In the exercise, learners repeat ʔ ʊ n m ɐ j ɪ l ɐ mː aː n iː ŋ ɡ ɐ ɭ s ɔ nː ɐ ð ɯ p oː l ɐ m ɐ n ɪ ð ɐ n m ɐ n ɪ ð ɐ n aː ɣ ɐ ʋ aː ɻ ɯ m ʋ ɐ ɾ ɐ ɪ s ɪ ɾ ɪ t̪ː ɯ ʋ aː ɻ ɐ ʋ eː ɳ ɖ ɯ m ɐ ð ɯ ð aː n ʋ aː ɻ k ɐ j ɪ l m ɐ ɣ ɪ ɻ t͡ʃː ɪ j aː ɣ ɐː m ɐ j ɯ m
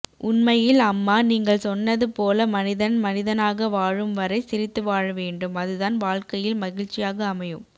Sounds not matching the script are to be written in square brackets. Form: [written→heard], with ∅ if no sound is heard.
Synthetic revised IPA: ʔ ʊ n m ɐ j ɪ l ɐ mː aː n iː ŋ ɡ ɐ ɭ s ɔ nː ɐ ð ɯ p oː l ɐ m ɐ n ɪ ð ɐ n m ɐ n ɪ ð ɐ n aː ɣ ɐ ʋ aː ɻ ɯ m ʋ ɐ ɾ ɐ ɪ s ɪ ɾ ɪ t̪ː ɯ ʋ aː ɻ ɐ ʋ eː ɳ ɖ ɯ m ɐ ð ɯ ð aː n ʋ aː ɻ k ɐ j ɪ l m ɐ ɣ ɪ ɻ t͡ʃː ɪ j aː ɣ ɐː m ɐ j ɯ m